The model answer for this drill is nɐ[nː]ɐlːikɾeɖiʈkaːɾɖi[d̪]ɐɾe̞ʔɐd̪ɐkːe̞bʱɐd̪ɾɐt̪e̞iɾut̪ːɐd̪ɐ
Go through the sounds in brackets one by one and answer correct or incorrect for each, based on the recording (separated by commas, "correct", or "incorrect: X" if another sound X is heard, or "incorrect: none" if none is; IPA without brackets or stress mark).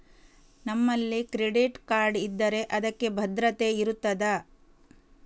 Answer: incorrect: mː, incorrect: d̪ː